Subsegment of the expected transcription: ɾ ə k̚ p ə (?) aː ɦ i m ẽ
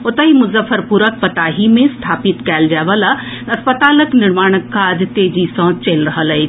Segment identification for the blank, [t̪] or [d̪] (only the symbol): t̪